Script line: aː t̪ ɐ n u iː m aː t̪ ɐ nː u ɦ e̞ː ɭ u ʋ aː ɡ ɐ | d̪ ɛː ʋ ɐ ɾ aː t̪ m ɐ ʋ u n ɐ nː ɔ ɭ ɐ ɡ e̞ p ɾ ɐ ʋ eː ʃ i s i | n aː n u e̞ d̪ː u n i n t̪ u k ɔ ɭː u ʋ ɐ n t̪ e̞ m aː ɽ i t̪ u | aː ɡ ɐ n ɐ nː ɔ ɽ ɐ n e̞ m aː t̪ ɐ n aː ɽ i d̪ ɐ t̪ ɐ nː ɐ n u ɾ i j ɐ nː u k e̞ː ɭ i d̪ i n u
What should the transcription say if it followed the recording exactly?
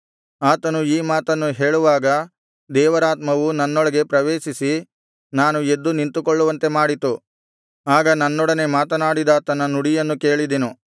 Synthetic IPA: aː t̪ ɐ n u iː m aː t̪ ɐ nː u ɦ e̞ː ɭ u ʋ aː ɡ ɐ | d̪ ɛː ʋ ɐ ɾ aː t̪ m ɐ ʋ u n ɐ nː ɔ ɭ ɐ ɡ e̞ p ɾ ɐ ʋ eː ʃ i s i | n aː n u e̞ d̪ː u n i n t̪ u k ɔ ɭː u ʋ ɐ n t̪ e̞ m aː ɽ i t̪ u | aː ɡ ɐ n ɐ nː ɔ ɽ ɐ n e̞ m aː t̪ ɐ n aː ɽ i d̪ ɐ t̪ ɐ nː ɐ n u ɽ i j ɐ nː u k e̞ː ɭ i d̪ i n u